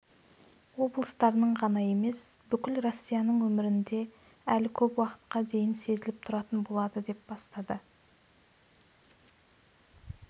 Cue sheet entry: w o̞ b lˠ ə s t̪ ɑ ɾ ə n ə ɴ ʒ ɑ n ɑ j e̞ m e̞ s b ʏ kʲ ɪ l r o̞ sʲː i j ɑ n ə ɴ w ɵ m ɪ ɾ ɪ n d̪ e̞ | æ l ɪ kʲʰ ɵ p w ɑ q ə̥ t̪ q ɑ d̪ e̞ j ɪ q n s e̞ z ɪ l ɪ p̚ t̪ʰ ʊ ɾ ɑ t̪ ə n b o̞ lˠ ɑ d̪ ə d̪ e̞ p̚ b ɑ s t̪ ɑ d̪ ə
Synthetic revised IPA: w o̞ b lˠ ə s t̪ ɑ ɾ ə n ə ɴ ʁ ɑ n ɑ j e̞ m e̞ s b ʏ kʲ ɪ l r o̞ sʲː i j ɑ n ə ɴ w ɵ m ɪ ɾ ɪ n d̪ e̞ | æ l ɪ kʲʰ ɵ p w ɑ q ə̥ t̪ q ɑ d̪ e̞ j ɪ n s e̞ z ɪ l ɪ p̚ t̪ʰ ʊ ɾ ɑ t̪ ə n b o̞ lˠ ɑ d̪ ə d̪ e̞ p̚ b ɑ s t̪ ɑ d̪ ə